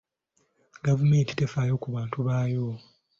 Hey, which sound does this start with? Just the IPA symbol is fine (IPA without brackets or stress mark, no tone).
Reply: ɡ